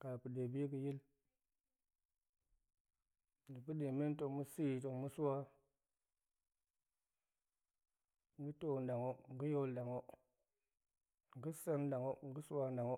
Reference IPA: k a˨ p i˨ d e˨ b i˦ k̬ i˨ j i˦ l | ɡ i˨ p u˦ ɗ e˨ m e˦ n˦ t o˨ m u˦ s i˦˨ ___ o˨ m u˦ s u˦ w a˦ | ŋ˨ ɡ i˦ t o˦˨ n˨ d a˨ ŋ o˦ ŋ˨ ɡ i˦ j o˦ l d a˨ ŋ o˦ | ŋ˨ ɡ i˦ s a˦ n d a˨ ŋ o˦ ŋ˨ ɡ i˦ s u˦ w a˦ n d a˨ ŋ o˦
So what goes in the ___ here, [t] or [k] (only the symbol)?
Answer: t